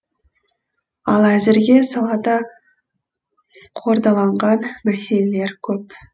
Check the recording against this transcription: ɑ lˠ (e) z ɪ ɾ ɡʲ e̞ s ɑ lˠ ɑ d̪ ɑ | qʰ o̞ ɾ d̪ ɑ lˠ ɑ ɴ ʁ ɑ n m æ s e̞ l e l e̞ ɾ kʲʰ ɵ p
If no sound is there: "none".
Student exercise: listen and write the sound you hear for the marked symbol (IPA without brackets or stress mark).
æ